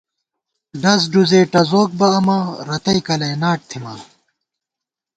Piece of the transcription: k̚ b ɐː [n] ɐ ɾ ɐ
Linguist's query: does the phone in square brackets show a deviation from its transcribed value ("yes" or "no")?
yes